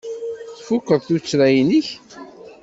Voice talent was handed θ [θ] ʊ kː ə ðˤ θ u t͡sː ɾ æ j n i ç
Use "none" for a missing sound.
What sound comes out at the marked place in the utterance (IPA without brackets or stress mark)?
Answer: f